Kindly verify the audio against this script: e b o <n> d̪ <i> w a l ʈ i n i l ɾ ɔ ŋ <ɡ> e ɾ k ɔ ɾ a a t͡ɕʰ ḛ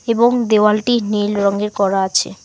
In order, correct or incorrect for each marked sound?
incorrect, incorrect, correct

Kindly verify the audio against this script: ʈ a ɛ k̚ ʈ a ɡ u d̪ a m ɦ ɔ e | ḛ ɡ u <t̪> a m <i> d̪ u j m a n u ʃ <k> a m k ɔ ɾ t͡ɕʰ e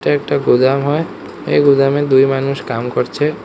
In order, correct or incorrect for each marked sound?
incorrect, incorrect, correct

